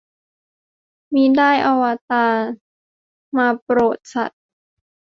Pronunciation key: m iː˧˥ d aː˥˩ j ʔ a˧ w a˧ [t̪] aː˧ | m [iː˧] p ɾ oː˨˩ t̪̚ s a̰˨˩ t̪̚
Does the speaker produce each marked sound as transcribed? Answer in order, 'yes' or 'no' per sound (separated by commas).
yes, no